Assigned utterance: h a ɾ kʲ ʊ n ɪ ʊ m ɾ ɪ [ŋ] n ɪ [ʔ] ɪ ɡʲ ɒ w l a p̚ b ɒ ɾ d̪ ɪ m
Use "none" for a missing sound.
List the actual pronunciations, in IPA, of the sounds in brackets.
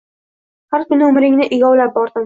ŋ, ʔ

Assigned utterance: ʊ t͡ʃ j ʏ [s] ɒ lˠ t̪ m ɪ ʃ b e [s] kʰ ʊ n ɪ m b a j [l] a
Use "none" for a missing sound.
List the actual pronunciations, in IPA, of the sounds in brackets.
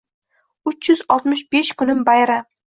z, ʃ, ɾ

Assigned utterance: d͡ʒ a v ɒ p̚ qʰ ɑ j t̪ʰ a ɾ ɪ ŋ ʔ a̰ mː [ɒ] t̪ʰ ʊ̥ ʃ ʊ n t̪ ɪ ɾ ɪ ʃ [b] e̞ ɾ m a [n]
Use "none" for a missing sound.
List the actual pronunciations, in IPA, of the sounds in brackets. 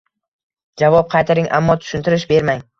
ɒ, b, ŋ

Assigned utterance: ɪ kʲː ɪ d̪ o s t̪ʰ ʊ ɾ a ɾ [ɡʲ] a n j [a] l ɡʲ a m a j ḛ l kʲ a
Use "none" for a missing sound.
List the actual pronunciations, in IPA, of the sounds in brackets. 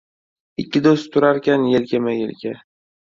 kʲ, e

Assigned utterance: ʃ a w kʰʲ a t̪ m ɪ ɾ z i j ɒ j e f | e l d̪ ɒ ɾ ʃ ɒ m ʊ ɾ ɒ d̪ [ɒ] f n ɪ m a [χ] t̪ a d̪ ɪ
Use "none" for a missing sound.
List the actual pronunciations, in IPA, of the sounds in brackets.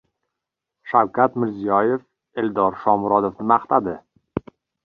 o, χ

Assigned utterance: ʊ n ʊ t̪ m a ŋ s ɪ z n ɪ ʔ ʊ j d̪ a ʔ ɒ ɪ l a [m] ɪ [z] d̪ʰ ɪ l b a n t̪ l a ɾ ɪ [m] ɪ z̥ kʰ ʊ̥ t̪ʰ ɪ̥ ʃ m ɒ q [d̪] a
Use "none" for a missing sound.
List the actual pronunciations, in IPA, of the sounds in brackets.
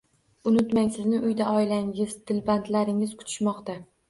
ŋ, z, ŋ, t̪

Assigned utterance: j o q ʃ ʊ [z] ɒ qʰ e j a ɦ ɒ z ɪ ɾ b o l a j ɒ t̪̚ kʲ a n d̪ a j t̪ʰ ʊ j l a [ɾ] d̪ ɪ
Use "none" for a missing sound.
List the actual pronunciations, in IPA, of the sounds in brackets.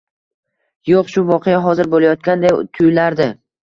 v, ɾ

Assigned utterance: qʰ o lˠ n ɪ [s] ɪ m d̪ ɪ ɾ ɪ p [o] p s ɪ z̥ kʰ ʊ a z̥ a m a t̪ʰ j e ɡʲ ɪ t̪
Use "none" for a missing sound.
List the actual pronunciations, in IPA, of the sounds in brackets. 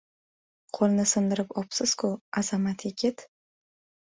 s, ɒ

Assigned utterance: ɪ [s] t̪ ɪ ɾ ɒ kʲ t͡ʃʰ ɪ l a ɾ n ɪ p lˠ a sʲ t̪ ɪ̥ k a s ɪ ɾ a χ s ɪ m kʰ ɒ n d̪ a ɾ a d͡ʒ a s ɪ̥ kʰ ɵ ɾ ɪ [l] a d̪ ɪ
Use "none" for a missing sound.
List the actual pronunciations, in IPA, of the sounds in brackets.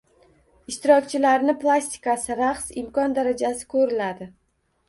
ʃ, l

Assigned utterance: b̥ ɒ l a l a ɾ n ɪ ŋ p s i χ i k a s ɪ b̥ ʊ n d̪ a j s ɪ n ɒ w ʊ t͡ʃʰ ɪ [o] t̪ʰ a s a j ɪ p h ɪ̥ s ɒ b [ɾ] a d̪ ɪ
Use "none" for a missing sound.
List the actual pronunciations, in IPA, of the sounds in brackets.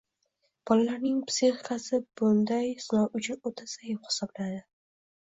o, l

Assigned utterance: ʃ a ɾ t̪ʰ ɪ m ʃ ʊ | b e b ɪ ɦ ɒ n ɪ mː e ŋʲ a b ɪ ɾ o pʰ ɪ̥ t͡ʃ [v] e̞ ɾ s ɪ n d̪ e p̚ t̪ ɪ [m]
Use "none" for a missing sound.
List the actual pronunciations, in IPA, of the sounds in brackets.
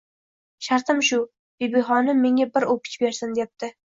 b, none

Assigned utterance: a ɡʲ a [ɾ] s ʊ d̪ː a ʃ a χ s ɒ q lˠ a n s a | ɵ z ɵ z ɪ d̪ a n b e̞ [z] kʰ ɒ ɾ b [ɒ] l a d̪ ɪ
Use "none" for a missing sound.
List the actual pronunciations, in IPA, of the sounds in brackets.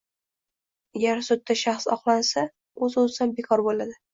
ɾ, none, o

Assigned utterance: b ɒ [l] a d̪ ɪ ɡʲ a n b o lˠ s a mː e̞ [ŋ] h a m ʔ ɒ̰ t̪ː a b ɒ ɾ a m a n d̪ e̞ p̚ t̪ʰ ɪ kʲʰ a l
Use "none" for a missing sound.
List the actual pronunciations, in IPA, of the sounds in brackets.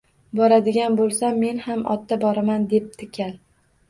ɾ, n

